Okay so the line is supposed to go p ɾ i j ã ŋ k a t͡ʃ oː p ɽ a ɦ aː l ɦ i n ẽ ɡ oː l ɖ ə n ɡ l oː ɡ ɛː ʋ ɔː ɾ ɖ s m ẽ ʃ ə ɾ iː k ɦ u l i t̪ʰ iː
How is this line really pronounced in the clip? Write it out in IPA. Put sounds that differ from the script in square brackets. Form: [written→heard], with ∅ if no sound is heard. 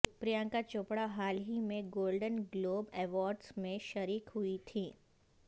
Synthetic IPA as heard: p ɾ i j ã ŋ k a t͡ʃ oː p ɽ a ɦ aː l ɦ i [n→m] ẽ ɡ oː l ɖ ə n ɡ l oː [ɡ→b] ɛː ʋ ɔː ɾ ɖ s m ẽ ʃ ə ɾ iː k ɦ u [l→∅] i t̪ʰ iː